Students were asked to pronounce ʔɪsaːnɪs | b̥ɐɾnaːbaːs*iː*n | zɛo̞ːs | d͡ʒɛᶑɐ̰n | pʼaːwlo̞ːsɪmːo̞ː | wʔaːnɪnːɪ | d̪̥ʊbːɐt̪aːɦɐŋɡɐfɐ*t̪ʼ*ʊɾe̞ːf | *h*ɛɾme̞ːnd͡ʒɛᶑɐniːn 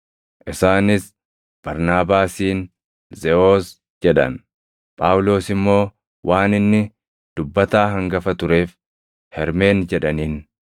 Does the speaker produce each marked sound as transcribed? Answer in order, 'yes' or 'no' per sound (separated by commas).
yes, no, yes